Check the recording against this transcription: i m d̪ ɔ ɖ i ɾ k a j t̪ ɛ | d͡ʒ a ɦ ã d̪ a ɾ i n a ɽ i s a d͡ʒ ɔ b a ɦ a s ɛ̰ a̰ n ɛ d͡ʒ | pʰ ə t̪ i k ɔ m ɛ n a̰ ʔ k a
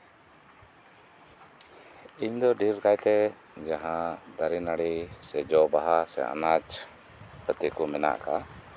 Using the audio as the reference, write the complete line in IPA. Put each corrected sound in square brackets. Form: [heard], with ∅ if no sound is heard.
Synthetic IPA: i [ɲ] d̪ ɔ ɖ i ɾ k a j t̪ ɛ | d͡ʒ a ɦ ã d̪ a ɾ i n a ɽ i s [ɛ] d͡ʒ ɔ b a ɦ a s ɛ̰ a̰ n [a] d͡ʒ | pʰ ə t̪ i k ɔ m ɛ n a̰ ʔ k a